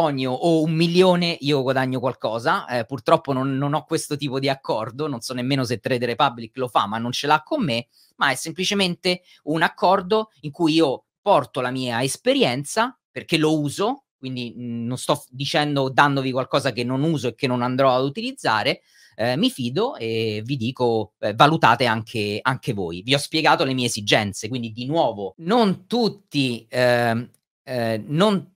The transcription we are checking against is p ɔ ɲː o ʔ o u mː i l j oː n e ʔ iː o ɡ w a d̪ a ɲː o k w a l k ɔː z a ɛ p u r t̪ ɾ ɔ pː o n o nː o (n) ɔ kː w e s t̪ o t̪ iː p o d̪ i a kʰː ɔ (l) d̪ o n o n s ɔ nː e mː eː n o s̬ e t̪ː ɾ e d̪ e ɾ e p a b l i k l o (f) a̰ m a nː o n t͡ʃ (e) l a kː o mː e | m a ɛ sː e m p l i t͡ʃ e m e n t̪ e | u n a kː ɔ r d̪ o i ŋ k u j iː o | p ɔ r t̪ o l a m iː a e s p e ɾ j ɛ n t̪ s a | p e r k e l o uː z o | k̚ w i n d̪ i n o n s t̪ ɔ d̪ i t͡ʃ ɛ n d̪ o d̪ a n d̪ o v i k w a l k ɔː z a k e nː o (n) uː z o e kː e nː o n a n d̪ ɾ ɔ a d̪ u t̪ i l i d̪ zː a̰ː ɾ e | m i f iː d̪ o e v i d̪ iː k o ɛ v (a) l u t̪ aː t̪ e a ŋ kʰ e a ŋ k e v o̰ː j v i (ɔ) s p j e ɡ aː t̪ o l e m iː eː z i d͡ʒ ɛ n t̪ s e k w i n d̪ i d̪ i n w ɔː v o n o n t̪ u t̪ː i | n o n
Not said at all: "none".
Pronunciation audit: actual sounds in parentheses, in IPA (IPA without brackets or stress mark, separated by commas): n, r, f, e, n, a, ɔ